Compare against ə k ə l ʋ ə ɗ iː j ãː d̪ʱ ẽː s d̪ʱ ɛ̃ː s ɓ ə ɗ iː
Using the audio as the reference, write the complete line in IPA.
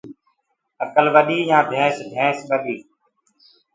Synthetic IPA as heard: ə k ə l ʋ ə ɗ iː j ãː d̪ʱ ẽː s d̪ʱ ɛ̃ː s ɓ ə ɗ iː